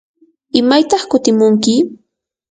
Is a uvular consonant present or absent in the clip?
present